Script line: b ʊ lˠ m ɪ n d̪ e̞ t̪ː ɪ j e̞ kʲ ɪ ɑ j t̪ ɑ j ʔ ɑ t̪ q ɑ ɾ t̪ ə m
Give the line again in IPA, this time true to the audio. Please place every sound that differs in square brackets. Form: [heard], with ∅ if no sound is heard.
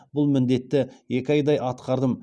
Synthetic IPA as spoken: b ʊ lˠ m ɪ n d̪ e̞ t̪ː ɪ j e̞ kʲ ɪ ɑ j [d̪] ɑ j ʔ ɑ t̪ q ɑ ɾ [d̪] ə m